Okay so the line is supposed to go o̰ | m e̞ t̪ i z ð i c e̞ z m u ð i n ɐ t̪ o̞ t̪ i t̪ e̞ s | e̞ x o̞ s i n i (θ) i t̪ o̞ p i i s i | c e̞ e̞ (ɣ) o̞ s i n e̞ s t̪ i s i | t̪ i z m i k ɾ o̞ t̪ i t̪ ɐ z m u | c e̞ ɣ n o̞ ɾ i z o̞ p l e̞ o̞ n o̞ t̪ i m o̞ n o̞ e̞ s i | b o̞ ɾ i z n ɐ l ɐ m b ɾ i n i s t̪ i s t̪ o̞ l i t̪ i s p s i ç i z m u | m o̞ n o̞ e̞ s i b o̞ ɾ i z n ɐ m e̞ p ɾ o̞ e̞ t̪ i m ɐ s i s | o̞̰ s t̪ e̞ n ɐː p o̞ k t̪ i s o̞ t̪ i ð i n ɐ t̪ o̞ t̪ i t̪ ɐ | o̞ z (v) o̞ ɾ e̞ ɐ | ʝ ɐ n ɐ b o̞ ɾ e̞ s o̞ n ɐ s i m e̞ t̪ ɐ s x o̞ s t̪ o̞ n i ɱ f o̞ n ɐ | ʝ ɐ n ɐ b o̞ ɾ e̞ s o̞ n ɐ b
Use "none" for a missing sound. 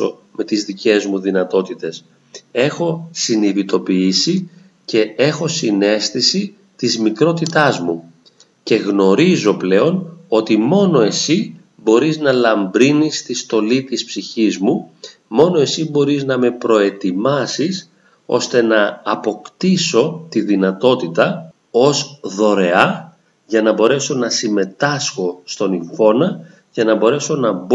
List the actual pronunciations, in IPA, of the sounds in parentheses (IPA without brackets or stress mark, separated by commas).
ð, x, ð